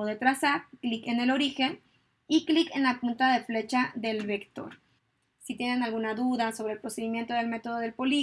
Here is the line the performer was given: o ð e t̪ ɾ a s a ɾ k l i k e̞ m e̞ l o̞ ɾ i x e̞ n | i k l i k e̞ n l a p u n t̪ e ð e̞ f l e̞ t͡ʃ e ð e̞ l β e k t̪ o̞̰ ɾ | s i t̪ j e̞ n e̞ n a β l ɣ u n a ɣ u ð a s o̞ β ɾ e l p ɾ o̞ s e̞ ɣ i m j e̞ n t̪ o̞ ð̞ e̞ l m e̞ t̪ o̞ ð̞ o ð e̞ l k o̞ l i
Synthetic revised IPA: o ð e t̪ ɾ a s a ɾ k l i k e̞ n e̞ l o̞ ɾ i x e̞ n | i k l i k e̞ n l a p u n t̪ a ð e̞ f l e̞ t͡ʃ a ð e̞ l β e k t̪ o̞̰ ɾ | s i t̪ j e̞ n e̞ n a l ɣ u n a ð u ð a s o̞ β ɾ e l p ɾ o̞ s e̞ ð i m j e̞ n t̪ o̞ ð̞ e̞ l m e̞ t̪ o̞ ð̞ o ð e̞ l p o̞ l i